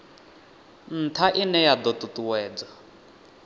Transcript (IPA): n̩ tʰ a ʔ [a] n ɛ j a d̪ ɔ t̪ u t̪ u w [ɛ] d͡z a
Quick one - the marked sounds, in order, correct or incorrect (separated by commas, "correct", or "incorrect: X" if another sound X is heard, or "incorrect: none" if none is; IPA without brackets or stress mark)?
incorrect: i, incorrect: ɛː